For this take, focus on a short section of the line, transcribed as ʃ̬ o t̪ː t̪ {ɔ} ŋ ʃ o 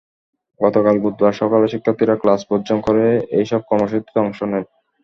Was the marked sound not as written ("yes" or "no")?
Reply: no